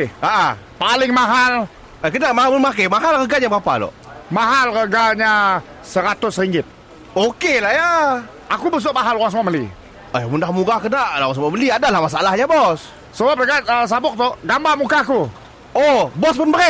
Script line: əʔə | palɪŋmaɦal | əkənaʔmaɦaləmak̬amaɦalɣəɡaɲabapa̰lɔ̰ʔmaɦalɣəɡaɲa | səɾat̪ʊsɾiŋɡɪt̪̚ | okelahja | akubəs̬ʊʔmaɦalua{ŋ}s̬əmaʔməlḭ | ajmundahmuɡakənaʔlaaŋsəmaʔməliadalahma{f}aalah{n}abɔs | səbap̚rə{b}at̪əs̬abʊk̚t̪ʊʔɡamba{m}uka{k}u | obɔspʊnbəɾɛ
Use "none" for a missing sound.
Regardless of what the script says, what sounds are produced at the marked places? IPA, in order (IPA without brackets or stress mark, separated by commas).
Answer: ŋ, s, ɲ, ɡ, m, k